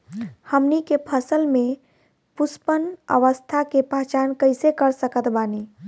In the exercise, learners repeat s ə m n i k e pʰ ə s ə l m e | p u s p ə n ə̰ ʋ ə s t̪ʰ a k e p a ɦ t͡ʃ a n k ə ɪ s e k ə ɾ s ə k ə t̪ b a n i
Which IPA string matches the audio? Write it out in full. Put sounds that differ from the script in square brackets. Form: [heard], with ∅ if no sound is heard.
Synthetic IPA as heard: [h] ə m n i k e pʰ ə s ə l m e | p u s p ə n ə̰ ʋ ə s t̪ʰ a k e p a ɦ t͡ʃ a n k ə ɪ s e k ə ɾ s ə k ə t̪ b a n i